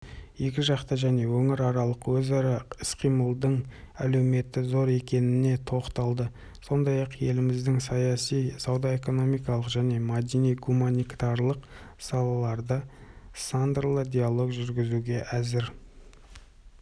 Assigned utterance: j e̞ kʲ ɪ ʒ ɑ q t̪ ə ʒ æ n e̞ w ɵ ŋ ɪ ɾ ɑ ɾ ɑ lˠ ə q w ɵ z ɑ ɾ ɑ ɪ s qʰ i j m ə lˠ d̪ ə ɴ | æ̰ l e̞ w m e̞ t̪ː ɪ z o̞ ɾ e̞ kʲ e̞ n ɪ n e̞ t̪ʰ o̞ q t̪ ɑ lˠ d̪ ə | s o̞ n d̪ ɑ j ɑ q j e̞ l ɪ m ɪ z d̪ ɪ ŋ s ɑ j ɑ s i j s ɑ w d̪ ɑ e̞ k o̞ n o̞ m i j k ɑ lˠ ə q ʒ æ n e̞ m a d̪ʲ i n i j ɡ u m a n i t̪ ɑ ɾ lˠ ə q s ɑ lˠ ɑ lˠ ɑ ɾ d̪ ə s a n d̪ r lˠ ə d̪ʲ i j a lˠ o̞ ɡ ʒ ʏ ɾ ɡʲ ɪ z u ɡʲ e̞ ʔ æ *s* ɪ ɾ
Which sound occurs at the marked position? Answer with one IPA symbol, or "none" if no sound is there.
z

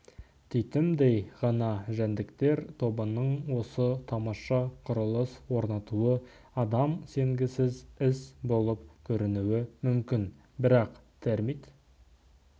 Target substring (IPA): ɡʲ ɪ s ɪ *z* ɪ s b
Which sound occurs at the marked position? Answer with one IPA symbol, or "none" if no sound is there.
z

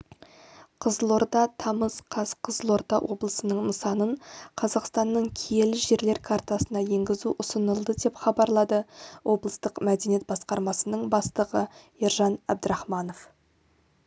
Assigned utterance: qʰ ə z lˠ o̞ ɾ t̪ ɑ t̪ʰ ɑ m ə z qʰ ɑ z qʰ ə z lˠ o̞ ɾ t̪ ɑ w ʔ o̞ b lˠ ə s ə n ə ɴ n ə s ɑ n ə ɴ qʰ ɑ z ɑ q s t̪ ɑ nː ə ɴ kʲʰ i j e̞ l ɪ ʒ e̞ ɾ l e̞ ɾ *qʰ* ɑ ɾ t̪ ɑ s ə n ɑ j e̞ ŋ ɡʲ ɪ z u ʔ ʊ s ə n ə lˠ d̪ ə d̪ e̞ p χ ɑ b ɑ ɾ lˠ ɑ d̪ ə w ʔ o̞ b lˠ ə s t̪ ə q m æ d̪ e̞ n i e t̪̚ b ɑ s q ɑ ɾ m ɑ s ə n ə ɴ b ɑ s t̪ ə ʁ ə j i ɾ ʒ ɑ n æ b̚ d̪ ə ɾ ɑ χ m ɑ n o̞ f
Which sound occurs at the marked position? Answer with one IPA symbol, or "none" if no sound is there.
kʰ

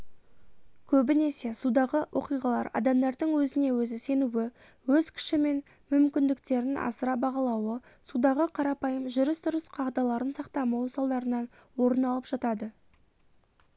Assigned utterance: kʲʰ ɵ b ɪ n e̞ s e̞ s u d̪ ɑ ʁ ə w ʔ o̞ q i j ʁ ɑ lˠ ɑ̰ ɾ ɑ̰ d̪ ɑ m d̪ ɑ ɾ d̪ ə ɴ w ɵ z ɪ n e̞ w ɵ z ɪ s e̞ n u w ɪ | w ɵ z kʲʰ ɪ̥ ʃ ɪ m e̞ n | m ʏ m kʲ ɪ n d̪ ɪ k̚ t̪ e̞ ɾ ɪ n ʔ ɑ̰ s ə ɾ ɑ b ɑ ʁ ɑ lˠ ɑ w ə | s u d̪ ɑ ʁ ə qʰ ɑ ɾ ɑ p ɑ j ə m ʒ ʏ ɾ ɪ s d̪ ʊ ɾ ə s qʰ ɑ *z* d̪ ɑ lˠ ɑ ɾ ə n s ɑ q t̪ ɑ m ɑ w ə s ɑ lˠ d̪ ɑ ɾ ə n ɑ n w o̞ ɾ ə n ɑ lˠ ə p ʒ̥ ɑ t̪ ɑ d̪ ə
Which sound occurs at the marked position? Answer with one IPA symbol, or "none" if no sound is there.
ʁ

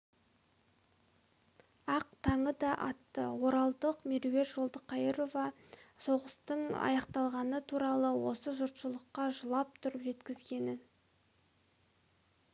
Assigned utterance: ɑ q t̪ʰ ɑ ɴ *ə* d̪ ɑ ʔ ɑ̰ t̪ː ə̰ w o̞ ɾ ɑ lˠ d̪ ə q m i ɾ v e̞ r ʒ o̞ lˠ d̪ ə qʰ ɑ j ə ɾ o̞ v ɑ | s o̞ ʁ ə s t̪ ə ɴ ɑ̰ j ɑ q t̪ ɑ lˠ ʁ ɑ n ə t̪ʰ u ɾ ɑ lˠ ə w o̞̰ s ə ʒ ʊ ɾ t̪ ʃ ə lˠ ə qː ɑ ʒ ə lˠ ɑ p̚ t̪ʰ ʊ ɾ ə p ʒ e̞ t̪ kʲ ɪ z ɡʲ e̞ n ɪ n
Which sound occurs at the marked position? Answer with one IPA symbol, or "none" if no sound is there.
ə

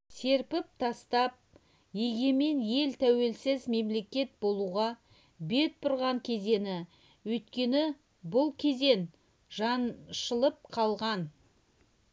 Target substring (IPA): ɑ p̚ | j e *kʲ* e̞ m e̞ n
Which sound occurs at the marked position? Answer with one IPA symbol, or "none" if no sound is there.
ɡʲ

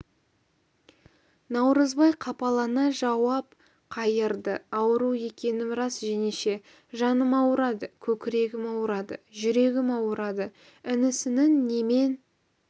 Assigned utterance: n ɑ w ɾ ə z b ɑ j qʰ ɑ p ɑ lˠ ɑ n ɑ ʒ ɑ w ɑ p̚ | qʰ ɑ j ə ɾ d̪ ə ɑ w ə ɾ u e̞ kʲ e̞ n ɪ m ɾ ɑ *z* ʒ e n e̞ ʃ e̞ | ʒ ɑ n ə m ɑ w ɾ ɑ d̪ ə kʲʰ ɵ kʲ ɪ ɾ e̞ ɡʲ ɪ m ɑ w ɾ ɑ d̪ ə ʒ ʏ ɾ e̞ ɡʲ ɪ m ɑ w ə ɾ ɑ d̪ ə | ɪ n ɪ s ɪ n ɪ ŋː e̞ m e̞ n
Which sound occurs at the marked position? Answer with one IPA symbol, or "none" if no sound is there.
s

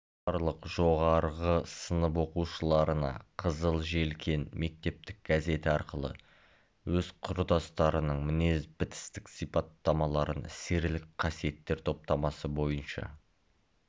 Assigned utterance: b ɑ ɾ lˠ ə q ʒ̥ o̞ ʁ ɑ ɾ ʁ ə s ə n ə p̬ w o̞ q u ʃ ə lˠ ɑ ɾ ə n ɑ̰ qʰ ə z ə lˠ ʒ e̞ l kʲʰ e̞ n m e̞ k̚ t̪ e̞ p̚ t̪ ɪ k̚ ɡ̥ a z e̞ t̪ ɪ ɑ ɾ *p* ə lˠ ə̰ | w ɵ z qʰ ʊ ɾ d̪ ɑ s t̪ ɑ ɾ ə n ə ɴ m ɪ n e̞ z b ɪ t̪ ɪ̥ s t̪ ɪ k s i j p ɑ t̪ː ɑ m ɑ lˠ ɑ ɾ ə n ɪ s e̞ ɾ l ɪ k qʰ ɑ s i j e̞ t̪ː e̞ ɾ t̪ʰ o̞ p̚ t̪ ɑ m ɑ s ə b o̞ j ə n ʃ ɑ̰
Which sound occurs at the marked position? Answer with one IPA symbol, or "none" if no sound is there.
q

